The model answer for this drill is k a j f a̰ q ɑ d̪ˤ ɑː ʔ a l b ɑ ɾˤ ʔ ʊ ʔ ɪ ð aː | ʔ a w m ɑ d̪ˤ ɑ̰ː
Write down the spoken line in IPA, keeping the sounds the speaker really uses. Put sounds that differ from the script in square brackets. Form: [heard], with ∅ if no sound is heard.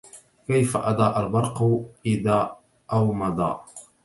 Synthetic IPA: k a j f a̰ [ʔ] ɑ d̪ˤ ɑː ʔ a l b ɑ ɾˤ [q] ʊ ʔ ɪ ð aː | ʔ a w m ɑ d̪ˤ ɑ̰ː

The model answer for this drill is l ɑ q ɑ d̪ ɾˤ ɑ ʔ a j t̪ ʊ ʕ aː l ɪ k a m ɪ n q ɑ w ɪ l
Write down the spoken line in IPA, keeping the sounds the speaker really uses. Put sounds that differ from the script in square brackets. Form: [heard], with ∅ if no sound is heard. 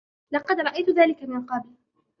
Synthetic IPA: l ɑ q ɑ d̪ ɾˤ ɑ ʔ a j t̪ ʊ [ð] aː l ɪ k a m ɪ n q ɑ [b] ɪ l

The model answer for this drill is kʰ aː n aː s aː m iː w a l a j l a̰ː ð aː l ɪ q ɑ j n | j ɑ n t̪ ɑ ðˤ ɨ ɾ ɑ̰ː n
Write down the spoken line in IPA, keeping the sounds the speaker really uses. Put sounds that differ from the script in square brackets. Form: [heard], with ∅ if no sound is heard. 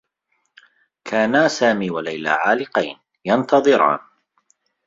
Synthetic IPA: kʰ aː n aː s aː m iː w a l a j l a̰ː [ʕ] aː l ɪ q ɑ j n | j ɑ n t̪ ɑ ðˤ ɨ ɾ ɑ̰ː n

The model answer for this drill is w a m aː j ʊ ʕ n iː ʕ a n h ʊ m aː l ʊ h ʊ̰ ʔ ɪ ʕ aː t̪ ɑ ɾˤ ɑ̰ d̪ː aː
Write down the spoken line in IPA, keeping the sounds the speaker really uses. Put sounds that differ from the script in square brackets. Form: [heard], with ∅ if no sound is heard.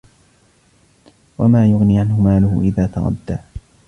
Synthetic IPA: w a m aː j ʊ [ɣ] n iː ʕ a n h ʊ m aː l ʊ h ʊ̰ ʔ ɪ [ð] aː t̪ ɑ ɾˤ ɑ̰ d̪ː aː

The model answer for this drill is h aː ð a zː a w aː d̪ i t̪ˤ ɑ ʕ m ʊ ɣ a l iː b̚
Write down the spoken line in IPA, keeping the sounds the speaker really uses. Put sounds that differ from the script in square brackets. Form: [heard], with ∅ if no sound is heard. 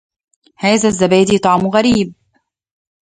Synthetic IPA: h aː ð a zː a [b] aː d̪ i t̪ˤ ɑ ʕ m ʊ ɣ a [ɾ] iː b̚

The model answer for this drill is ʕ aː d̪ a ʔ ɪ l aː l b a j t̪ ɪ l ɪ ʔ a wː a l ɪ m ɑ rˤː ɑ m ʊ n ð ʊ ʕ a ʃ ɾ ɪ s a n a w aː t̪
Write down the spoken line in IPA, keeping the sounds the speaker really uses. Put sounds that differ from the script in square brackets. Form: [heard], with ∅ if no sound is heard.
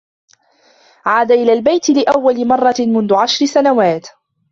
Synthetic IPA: ʕ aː d̪ a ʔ ɪ l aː l b a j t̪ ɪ l ɪ ʔ a wː a l ɪ m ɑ rˤː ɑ m ʊ n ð ʊ ʕ a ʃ ɾ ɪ s a n a w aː t̪

